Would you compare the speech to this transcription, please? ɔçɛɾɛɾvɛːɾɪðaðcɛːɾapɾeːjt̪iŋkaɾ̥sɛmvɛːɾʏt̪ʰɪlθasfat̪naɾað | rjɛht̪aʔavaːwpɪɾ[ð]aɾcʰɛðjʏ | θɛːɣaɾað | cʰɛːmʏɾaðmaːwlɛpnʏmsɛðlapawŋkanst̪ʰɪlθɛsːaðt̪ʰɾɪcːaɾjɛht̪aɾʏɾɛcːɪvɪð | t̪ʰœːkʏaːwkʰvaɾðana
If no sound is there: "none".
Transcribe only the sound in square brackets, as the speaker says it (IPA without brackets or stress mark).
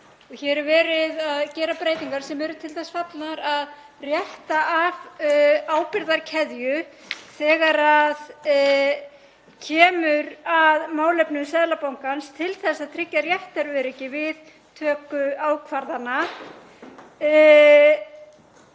ð